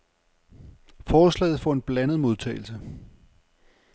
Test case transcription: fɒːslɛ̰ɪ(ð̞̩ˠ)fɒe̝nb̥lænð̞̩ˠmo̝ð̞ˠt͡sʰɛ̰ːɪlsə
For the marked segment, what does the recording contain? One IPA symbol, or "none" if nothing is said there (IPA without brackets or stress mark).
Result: ð̞̩ˠ